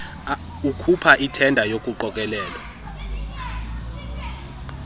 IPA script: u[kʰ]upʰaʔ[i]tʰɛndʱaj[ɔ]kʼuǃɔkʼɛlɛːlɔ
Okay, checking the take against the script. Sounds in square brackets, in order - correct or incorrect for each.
correct, correct, incorrect: o

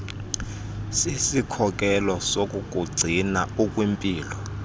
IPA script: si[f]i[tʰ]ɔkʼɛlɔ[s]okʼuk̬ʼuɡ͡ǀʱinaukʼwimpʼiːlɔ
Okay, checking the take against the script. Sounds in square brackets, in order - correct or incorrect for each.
incorrect: s, incorrect: kʰ, correct

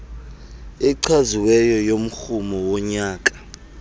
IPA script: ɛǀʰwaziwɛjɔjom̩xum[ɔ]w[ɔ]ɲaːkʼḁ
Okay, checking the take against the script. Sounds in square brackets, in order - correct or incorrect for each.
correct, correct

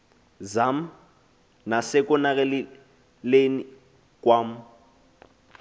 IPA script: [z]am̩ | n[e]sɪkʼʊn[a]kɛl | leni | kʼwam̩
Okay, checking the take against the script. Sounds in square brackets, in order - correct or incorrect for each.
correct, incorrect: a, correct

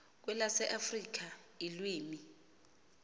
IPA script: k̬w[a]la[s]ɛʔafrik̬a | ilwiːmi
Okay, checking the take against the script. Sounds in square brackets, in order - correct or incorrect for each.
incorrect: ɛ, correct

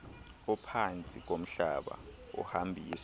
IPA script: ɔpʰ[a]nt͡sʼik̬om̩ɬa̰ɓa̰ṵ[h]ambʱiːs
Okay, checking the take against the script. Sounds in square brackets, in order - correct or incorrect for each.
correct, correct

